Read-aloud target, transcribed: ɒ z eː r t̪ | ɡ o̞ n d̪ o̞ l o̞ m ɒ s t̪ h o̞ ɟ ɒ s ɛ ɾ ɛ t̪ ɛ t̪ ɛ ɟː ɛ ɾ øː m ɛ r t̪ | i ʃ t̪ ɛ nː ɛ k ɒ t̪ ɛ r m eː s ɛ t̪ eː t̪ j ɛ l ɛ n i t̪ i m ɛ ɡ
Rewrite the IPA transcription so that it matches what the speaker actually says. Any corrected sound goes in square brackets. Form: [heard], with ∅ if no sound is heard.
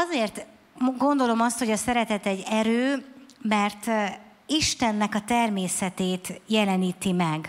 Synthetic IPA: ɒ z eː r t̪ | ɡ o̞ n d̪ o̞ l o̞ m ɒ s t̪ h o̞ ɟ ɒ s ɛ ɾ ɛ t̪ ɛ t̪ ɛ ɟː ɛ ɾ øː m ɛ r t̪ | i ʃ t̪ ɛ nː ɛ k ɒ t̪ ɛ r m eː s ɛ t̪ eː t̪ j ɛ l ɛ n [iː] t̪ i m ɛ ɡ